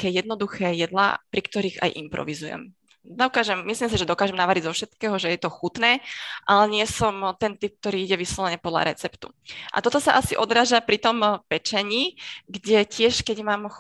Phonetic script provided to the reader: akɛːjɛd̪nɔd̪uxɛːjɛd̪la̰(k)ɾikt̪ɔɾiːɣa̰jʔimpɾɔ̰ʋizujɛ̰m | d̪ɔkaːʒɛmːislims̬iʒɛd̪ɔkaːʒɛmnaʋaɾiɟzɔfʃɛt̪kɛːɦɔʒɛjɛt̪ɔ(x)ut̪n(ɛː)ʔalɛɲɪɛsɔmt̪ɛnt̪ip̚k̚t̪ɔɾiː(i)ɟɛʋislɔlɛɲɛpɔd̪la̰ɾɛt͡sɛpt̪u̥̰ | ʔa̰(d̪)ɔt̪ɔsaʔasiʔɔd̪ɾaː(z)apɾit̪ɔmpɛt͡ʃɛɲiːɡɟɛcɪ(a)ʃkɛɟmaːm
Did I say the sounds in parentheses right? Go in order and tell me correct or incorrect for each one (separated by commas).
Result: incorrect, correct, correct, correct, incorrect, incorrect, incorrect